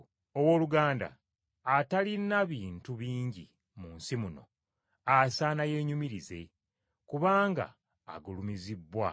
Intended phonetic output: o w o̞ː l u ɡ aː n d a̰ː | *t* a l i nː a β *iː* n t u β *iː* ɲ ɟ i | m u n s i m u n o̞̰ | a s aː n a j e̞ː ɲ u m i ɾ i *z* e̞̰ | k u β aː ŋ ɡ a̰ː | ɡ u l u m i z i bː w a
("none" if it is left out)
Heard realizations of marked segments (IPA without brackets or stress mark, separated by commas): t, iː, iː, z